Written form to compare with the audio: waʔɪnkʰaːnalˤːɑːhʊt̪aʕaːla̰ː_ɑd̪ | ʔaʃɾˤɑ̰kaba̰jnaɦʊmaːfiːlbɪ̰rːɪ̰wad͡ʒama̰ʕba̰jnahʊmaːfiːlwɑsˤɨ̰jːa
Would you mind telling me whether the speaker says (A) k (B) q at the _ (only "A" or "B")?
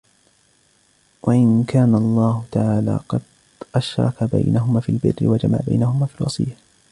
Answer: B